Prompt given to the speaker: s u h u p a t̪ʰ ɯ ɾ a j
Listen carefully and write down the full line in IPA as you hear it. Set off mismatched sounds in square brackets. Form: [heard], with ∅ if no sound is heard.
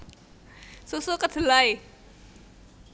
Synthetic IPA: s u [s] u [k] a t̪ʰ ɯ [l] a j